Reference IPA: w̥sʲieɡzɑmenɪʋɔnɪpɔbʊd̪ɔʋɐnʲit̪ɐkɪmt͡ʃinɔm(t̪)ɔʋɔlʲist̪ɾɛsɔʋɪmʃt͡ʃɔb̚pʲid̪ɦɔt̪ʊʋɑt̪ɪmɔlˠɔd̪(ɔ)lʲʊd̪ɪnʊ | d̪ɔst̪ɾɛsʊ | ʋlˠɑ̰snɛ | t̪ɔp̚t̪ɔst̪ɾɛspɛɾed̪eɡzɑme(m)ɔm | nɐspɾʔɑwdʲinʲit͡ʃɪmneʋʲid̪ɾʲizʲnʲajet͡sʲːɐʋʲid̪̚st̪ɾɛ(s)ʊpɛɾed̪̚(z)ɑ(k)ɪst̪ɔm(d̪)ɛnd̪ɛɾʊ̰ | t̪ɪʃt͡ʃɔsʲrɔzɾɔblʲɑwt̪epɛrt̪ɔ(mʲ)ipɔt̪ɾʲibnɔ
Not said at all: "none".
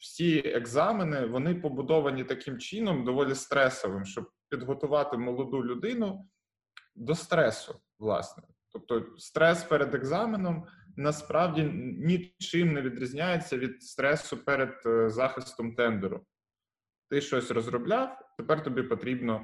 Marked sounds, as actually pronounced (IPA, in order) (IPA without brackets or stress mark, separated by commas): d̪, u, n, s, z, x, t̪, bʲ